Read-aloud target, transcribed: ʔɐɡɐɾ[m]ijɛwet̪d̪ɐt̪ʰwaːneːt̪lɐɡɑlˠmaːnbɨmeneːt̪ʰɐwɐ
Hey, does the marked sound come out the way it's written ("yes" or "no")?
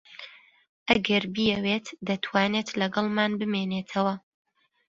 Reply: no